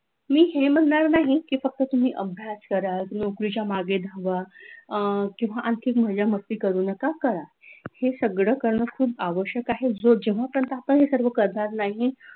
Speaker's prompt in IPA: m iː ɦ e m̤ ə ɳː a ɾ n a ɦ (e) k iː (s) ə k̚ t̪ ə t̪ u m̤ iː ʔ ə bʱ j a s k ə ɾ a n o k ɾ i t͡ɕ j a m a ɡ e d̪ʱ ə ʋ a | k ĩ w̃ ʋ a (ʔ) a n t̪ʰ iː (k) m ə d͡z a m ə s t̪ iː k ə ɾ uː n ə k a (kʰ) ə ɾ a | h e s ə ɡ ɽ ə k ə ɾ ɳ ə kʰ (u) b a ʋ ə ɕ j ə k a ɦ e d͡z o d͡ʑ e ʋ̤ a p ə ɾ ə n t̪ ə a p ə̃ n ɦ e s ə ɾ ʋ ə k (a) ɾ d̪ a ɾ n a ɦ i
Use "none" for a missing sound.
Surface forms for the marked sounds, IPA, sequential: i, f, ʔ, k, k, uː, ə

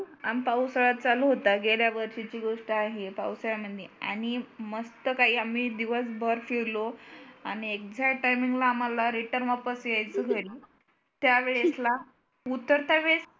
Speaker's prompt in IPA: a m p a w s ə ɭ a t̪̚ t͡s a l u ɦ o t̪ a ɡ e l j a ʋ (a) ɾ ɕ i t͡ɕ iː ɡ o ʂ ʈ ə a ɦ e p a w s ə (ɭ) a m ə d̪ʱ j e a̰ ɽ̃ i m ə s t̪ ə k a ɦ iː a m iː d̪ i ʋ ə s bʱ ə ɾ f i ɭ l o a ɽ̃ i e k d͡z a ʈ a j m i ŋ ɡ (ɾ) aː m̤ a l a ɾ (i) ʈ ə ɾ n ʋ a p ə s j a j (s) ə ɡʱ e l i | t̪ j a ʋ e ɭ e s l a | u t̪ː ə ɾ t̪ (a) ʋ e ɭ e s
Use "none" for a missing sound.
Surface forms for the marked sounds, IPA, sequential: ə, ɭ, l, i, t͡s, a

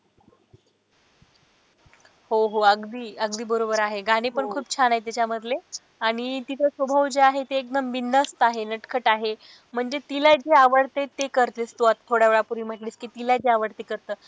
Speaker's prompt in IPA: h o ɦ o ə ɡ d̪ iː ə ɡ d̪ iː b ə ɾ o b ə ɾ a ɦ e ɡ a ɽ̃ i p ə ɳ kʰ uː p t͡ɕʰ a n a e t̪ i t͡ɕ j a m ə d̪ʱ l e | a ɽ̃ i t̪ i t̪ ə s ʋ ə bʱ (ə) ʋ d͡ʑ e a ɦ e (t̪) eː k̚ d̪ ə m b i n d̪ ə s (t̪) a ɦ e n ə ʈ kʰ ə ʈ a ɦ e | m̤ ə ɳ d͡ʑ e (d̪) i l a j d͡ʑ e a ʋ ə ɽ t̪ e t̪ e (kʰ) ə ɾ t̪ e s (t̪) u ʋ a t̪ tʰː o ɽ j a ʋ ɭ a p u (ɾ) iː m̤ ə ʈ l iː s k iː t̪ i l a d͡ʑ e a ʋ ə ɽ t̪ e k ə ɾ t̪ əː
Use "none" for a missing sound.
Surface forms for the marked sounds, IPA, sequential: ə, t̪, t̪, t̪, k, t̪, ɾ

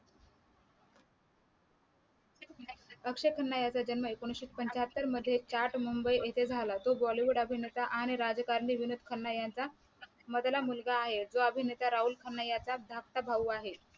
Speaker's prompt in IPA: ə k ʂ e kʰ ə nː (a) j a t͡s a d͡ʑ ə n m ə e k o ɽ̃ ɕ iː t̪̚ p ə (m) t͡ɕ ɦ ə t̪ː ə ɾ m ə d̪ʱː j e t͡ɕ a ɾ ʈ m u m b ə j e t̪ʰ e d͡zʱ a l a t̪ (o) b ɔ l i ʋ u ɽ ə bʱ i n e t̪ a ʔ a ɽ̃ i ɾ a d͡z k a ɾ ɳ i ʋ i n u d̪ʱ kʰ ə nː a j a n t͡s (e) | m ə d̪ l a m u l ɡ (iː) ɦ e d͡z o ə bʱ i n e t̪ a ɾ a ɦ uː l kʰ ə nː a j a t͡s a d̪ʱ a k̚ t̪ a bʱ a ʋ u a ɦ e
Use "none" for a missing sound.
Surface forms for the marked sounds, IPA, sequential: a, ɲ, o, a, aː

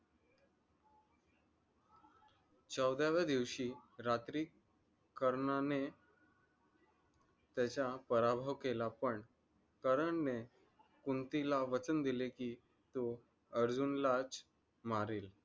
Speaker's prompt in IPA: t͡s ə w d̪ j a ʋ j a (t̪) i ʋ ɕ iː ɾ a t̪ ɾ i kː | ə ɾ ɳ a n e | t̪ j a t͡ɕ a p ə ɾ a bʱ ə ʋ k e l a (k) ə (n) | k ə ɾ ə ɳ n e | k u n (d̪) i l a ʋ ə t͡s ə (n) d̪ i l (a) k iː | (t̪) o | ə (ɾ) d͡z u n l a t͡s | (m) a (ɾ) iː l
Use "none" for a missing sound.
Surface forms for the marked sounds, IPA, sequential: d̪, p, ɳ, t̪, n, e, t̪, ɾ, m, ɾ

